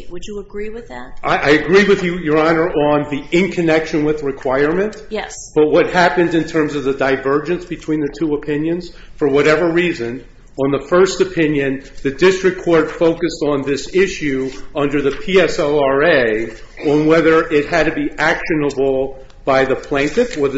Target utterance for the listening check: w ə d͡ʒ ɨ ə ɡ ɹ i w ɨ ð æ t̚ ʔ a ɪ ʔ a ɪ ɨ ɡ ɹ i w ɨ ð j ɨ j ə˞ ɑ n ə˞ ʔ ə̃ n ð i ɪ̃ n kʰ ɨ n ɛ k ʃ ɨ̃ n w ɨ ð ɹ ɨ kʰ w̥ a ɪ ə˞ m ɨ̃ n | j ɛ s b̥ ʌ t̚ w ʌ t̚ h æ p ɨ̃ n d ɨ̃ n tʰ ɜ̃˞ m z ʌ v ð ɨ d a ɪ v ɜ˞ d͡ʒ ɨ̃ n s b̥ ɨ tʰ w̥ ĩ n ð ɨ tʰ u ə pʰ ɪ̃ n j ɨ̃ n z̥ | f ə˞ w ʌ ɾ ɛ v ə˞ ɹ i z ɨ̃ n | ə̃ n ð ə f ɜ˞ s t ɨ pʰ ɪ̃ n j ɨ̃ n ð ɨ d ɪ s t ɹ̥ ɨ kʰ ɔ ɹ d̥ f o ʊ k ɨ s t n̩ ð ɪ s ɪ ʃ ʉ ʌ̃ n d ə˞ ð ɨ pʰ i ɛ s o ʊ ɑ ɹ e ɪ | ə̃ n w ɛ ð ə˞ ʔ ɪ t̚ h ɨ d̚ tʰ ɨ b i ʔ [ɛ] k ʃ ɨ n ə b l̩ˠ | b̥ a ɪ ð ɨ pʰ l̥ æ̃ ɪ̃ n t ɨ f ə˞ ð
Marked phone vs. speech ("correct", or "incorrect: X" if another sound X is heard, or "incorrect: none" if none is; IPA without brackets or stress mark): incorrect: æ